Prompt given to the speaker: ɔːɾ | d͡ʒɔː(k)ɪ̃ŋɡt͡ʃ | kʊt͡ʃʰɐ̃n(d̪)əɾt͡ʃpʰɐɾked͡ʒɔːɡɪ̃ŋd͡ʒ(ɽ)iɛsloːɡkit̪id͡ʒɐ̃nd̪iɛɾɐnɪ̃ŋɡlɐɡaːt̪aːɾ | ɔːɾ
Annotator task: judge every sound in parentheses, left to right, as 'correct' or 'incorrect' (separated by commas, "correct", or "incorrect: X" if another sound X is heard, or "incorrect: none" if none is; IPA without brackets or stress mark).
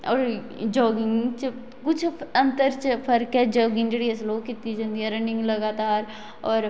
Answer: incorrect: ɡ, incorrect: t̪, correct